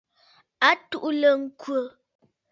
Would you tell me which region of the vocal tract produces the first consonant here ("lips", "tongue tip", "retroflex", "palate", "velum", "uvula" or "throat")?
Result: tongue tip